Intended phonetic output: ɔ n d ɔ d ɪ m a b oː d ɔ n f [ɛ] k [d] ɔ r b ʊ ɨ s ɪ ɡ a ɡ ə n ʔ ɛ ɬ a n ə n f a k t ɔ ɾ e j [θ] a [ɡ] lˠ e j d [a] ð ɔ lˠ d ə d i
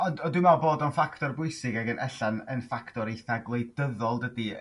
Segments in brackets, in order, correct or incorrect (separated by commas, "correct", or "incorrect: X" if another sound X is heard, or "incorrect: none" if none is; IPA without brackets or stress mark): incorrect: a, incorrect: t, correct, correct, incorrect: ə